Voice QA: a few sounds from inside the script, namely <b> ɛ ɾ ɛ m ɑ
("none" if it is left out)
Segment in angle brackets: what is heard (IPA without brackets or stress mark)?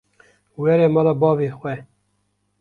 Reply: w